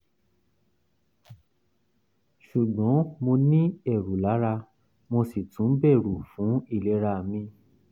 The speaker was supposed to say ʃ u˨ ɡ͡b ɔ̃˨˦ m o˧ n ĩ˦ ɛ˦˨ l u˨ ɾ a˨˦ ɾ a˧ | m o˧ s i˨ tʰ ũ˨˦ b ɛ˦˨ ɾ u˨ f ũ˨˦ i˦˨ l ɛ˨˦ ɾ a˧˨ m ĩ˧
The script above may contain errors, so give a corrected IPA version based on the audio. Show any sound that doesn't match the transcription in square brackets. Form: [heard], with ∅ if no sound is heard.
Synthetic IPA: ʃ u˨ ɡ͡b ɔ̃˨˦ m o˧ n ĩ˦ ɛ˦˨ [ɾ] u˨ [l] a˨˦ ɾ a˧ | m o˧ s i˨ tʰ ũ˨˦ b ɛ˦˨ ɾ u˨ f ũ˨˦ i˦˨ l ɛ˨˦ ɾ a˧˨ m ĩ˧